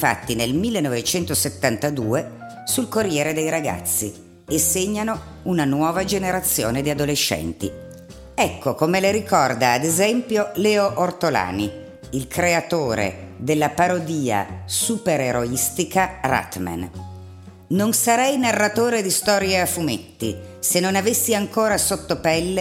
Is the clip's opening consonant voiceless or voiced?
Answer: voiceless